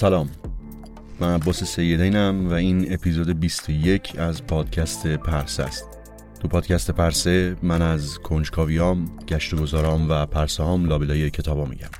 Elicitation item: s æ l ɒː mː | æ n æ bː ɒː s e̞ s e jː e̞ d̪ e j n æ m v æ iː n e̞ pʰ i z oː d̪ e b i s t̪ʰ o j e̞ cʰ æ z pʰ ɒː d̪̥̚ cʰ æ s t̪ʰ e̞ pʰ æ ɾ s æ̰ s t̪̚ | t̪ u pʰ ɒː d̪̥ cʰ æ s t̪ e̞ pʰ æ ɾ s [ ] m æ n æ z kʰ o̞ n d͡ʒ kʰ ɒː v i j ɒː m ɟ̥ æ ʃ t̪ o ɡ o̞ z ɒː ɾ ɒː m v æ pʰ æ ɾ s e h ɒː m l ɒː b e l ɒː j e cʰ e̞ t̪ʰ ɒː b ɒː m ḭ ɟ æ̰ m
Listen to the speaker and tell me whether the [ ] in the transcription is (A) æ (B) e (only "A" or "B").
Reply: B